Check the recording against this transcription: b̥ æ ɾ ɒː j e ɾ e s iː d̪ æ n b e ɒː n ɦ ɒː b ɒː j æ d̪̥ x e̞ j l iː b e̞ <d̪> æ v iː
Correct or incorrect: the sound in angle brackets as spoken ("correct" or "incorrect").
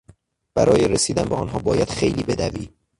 correct